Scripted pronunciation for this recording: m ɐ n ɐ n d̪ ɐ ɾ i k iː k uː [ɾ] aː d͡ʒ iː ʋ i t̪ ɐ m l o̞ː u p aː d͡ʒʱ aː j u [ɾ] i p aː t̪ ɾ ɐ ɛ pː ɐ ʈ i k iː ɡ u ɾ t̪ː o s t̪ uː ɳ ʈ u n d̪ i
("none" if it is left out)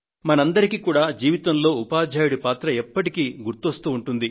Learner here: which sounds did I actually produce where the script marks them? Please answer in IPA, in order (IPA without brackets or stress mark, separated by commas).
ɽ, ɽ